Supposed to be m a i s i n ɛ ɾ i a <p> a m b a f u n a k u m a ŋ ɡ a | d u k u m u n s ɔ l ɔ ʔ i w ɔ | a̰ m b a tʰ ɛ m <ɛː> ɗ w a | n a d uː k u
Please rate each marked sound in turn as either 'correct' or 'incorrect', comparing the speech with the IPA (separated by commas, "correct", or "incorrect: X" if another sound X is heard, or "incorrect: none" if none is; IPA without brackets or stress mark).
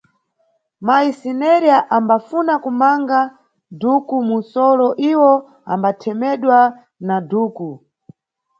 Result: incorrect: ʔ, incorrect: ɛ